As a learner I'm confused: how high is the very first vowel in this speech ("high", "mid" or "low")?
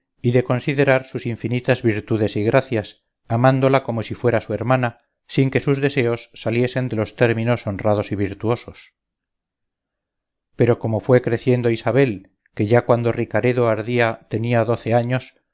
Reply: high